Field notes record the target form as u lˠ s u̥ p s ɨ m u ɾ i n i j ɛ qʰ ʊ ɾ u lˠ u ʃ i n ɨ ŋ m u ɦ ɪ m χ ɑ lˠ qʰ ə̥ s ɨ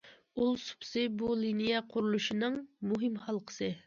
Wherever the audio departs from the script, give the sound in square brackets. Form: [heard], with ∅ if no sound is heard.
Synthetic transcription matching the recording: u lˠ s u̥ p s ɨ [b] u [l] i n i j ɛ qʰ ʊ ɾ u lˠ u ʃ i n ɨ ŋ m u ɦ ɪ m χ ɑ lˠ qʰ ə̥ s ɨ